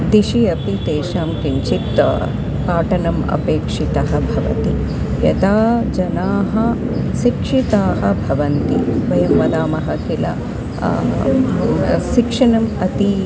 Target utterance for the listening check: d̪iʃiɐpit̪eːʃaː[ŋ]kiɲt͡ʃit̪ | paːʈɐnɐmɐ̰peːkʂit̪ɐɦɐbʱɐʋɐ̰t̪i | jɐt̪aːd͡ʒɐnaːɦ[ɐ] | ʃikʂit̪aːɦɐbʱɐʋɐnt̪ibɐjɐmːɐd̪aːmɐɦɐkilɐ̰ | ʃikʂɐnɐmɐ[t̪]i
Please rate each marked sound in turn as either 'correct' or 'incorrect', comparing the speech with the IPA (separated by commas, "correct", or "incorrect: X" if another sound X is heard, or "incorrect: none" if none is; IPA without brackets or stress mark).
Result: incorrect: m, correct, correct